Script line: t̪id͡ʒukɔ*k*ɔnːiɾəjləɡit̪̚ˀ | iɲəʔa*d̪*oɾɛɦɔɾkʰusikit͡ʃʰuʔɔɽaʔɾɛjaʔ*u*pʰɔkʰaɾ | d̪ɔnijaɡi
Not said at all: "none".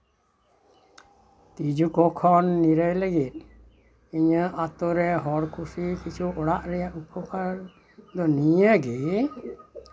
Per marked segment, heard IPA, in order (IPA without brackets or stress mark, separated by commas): kʰ, t̪, u